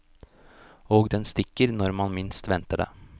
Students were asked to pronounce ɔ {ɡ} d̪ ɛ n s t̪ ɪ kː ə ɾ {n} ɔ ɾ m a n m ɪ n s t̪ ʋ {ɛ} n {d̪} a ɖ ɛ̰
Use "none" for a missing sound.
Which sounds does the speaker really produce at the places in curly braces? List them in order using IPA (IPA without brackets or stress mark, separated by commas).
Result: ɡ, n, ɛ, t̪